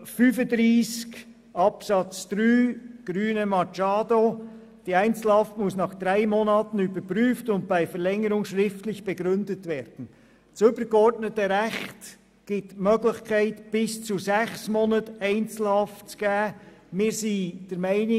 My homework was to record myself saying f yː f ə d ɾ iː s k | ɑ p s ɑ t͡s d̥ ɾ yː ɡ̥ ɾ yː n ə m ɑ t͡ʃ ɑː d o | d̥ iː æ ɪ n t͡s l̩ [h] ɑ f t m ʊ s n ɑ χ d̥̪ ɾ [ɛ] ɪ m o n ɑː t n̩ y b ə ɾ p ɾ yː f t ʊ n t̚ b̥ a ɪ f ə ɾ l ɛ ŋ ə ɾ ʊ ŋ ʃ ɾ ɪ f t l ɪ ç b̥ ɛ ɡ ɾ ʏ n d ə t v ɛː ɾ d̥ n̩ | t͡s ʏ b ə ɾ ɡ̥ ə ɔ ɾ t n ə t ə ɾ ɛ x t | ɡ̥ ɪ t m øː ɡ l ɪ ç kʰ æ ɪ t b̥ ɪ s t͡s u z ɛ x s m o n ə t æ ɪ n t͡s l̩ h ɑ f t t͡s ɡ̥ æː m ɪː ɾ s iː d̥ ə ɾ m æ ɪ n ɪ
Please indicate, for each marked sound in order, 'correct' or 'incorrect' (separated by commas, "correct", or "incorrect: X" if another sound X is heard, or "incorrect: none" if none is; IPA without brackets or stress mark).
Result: correct, incorrect: a